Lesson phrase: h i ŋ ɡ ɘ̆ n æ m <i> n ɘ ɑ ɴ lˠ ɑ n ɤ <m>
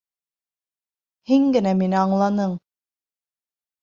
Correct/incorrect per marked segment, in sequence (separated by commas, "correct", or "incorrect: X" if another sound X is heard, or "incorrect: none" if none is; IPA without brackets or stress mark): correct, incorrect: ɴ